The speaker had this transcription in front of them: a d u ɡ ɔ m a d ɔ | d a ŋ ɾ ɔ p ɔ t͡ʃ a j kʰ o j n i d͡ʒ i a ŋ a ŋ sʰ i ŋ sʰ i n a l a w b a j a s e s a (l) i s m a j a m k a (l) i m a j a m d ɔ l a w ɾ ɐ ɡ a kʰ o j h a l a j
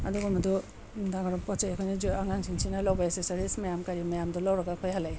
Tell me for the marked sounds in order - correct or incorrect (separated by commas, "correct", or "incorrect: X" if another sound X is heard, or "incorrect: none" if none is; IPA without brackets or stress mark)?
incorrect: ɾ, incorrect: ɾ